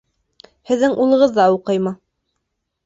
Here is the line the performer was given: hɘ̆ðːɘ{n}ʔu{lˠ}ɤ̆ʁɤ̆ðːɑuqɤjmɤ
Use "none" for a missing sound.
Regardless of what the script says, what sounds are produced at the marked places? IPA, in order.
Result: ŋ, lˠ

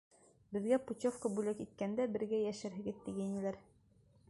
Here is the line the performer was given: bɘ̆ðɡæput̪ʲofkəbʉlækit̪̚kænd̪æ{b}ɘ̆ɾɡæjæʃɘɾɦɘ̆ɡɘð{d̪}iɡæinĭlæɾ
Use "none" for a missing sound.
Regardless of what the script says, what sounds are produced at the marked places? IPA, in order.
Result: b, t̪

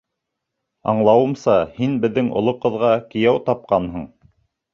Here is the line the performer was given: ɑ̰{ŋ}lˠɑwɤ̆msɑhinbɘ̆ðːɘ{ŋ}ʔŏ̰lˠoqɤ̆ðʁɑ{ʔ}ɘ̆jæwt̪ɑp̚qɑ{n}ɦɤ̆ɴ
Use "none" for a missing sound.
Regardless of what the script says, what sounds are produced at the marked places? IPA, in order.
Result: ɴ, ŋ, k, n

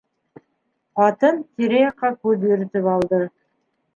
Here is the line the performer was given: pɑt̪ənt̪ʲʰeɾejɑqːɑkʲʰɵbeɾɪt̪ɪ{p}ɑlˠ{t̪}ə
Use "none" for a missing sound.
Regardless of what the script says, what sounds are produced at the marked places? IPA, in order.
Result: p, d̪

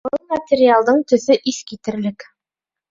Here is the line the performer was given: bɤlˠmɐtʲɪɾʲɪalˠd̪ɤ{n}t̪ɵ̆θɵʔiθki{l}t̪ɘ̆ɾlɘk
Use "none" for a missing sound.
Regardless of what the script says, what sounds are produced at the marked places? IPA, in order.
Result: ɴ, none

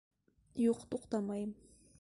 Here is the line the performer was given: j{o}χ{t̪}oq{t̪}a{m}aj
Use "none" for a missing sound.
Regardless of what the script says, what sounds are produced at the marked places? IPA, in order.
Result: o, t̪, t̪, m

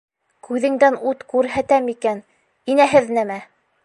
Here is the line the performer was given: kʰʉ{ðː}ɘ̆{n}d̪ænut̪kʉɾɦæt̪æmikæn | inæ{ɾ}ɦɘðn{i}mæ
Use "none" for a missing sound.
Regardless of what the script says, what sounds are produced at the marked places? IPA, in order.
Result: ð, ŋ, none, æ

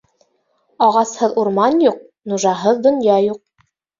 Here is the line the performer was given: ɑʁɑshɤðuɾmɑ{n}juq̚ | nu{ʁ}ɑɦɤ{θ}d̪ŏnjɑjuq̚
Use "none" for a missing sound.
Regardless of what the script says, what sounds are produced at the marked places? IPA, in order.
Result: n, ʒ, ð

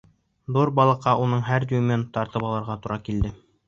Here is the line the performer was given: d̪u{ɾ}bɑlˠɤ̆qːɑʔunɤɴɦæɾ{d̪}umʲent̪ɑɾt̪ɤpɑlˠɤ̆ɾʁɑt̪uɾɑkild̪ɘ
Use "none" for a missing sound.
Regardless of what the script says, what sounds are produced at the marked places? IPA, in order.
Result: ɾ, d̪

